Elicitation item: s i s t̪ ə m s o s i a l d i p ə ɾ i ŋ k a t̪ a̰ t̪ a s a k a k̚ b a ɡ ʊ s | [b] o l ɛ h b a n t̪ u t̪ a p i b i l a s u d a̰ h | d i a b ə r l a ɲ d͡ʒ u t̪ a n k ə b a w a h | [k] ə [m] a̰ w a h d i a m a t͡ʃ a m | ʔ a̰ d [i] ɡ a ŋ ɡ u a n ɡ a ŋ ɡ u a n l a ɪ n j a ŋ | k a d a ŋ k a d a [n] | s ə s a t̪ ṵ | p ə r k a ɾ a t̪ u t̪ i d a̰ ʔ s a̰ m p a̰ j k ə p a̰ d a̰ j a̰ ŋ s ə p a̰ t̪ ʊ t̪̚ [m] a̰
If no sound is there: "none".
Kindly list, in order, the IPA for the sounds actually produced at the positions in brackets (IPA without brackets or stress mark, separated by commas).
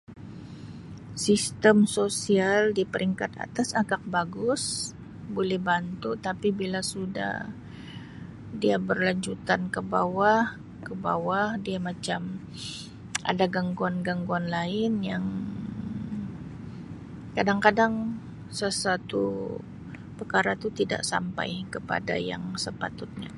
b, k, b, a, ŋ, ɲ